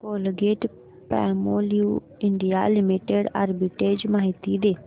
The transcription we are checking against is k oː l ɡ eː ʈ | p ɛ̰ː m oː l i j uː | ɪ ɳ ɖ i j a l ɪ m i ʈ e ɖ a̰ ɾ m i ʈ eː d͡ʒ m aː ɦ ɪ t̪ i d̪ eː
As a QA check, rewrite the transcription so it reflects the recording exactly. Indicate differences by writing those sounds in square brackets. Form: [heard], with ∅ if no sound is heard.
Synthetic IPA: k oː l ɡ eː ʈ | p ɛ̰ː m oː l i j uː | ɪ ɳ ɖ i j a l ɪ m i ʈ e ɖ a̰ ɾ [b] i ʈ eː d͡ʒ m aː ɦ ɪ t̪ i d̪ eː